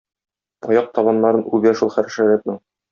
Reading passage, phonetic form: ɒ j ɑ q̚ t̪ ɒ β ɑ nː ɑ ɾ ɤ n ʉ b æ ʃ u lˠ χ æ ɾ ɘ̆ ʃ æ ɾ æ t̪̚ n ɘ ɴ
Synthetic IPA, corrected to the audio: ɒ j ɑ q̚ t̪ ɒ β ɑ nː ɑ ɾ ɤ n ʉ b æ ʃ u lˠ χ æ ɾ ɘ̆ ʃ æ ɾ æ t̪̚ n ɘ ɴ